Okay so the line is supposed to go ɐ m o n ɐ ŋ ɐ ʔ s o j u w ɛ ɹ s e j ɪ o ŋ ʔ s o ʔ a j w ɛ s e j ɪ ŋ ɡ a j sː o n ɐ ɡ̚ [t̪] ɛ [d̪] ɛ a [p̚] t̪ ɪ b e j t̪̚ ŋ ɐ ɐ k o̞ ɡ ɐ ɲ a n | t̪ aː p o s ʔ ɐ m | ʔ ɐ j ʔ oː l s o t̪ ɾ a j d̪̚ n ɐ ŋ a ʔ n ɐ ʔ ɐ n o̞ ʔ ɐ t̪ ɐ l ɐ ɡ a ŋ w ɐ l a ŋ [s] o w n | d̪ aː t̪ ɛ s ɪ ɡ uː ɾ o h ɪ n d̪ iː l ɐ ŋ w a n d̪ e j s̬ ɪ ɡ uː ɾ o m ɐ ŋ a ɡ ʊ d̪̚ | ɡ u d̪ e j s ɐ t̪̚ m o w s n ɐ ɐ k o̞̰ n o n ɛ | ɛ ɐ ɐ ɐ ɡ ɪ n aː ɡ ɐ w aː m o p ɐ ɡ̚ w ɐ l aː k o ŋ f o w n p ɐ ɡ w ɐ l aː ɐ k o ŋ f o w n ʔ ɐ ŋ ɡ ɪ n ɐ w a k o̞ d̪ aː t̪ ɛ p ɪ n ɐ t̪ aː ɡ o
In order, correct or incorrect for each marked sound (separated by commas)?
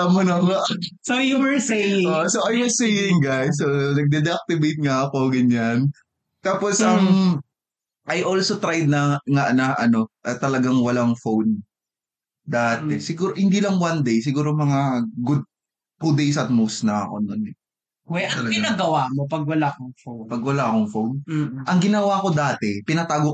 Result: incorrect, correct, incorrect, incorrect